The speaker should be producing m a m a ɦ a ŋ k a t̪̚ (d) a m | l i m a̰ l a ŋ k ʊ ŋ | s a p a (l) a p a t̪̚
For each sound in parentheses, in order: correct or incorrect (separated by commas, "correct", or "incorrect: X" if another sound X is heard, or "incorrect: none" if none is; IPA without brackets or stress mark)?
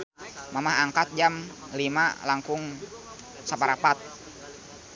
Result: incorrect: d͡ʒ, incorrect: ɾ